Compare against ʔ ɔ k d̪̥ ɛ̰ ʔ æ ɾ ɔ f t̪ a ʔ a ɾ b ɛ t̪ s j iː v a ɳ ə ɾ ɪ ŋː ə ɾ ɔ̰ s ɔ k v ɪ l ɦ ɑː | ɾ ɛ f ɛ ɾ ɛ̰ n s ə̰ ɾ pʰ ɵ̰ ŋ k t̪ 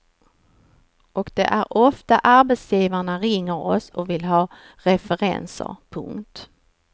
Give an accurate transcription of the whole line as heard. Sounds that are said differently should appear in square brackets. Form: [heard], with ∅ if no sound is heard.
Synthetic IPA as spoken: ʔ ɔ k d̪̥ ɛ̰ ʔ æ ɾ ɔ f t̪ a ʔ a ɾ b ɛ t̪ s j iː v a ɳ [a] ɾ ɪ ŋː ə ɾ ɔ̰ s ɔ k v ɪ l ɦ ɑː | ɾ ɛ f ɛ ɾ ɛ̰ n s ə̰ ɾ pʰ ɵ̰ ŋ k t̪